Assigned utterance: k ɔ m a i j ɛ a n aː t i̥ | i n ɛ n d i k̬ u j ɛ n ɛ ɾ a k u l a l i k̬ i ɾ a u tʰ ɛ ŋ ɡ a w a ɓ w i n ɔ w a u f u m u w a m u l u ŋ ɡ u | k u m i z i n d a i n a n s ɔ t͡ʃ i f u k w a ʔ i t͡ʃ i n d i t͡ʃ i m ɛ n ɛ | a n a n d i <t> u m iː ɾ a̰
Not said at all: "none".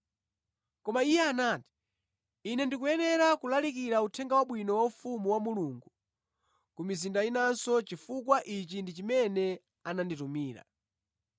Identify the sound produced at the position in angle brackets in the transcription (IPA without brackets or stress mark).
t